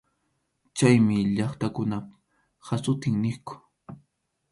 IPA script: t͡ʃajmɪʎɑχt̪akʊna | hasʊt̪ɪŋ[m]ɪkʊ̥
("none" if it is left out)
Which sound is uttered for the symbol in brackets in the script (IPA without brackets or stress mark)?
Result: n